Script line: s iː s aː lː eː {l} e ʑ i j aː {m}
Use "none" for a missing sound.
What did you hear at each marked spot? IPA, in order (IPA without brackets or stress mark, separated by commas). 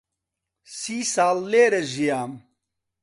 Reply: ɾ, m